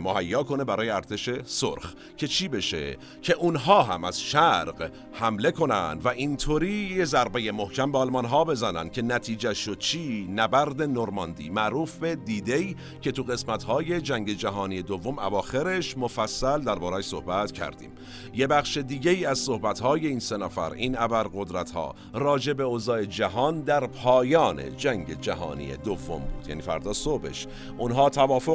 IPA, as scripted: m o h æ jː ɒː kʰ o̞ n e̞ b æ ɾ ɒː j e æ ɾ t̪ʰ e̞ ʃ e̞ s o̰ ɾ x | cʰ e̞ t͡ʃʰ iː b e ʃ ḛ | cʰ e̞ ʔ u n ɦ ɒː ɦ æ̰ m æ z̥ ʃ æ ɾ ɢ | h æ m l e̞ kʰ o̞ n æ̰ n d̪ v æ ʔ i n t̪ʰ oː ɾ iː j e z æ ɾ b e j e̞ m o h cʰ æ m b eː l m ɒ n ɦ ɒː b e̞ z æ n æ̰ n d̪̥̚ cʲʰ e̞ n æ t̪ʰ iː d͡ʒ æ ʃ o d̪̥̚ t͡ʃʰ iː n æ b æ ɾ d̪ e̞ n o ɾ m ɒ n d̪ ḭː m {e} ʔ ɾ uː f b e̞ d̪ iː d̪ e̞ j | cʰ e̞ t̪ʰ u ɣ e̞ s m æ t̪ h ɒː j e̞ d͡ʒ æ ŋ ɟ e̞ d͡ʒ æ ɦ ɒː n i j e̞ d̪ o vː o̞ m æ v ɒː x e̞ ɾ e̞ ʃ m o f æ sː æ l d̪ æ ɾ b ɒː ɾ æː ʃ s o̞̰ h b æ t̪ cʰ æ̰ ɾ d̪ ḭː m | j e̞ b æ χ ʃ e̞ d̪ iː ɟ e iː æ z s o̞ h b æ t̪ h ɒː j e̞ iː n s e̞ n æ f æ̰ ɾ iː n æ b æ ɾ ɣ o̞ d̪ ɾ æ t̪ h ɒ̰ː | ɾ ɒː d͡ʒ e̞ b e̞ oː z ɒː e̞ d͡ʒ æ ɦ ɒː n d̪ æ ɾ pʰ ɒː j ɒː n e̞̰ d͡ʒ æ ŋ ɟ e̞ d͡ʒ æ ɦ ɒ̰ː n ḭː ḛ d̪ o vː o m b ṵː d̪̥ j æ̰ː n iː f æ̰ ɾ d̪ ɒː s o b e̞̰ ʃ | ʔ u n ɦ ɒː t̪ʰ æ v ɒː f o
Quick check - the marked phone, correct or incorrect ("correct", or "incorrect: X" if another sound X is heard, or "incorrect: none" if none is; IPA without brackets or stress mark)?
incorrect: æ